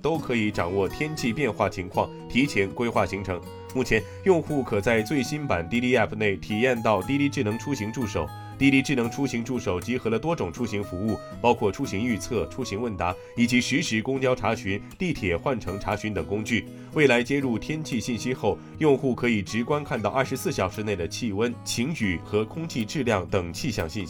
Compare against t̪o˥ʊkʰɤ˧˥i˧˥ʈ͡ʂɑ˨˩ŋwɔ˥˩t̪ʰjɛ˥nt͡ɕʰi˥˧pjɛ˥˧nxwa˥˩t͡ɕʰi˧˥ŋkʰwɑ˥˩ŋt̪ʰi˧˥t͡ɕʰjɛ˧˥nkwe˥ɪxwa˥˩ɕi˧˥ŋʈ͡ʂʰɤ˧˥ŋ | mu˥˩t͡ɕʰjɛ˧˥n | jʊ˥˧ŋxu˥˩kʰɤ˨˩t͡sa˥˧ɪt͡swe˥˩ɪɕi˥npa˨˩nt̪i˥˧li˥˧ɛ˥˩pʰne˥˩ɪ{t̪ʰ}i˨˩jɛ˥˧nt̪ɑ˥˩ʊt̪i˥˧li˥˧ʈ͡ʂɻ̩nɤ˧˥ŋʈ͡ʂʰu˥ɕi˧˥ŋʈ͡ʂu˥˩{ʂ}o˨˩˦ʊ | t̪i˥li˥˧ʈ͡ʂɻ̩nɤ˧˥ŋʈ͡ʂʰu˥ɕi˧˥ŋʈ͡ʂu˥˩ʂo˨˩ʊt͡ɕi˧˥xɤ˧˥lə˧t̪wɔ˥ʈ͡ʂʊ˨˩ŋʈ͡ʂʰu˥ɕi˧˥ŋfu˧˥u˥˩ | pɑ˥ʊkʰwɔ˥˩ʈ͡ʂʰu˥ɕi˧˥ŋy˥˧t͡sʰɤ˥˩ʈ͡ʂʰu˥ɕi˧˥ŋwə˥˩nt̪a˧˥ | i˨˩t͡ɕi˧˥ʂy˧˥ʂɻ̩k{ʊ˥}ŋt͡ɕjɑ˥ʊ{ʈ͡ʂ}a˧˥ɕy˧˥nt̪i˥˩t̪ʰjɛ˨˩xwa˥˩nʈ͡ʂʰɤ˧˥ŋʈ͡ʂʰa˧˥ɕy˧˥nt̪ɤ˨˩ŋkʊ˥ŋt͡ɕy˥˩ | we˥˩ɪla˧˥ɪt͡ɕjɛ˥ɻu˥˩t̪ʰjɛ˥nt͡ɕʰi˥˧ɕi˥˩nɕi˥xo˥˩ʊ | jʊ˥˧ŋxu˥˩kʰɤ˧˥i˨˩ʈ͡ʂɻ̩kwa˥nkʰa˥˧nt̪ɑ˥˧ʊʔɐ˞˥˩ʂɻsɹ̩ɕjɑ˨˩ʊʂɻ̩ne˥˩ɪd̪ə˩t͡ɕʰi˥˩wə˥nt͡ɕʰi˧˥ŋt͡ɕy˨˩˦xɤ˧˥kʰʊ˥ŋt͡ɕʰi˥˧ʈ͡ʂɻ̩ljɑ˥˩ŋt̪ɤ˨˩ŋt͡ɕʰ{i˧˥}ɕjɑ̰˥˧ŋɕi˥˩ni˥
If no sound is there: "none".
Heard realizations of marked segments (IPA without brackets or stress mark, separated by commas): t̪ʰ, ʂ, ʊ˥, ʈ͡ʂʰ, i˥˧